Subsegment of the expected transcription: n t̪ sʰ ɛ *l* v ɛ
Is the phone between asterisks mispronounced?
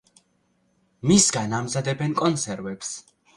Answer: yes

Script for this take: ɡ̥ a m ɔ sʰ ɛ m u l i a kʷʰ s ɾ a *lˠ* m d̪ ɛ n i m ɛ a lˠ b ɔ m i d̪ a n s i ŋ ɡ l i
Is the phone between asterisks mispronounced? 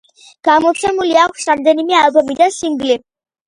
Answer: yes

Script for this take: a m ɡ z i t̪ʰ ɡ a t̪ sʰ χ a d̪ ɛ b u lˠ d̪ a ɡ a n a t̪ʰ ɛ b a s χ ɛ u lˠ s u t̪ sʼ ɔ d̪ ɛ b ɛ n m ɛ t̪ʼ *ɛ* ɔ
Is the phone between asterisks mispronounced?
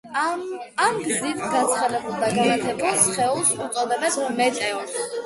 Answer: no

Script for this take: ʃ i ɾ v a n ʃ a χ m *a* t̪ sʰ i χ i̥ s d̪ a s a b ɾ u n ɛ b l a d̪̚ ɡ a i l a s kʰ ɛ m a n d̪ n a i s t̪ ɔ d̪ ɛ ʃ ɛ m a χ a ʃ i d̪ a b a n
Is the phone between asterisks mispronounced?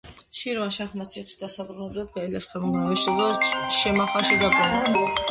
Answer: no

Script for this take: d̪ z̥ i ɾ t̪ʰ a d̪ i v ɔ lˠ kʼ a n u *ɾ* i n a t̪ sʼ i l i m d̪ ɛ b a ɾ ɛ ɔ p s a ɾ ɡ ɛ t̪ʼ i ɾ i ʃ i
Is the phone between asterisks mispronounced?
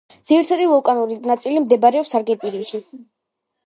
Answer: no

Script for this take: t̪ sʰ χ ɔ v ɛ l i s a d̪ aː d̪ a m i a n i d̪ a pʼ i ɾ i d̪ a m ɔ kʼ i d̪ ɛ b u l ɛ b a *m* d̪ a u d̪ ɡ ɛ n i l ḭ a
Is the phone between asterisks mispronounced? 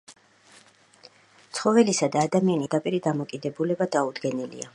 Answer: yes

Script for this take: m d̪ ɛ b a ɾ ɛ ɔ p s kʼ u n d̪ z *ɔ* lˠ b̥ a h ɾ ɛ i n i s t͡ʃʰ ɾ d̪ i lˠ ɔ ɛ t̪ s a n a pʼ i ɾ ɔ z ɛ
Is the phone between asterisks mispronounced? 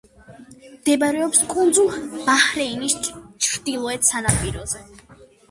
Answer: yes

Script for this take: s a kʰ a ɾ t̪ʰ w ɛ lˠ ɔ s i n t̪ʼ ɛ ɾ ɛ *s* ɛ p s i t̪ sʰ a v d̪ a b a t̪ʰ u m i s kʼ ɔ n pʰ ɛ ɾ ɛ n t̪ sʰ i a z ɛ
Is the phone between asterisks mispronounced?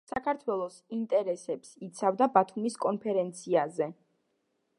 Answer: no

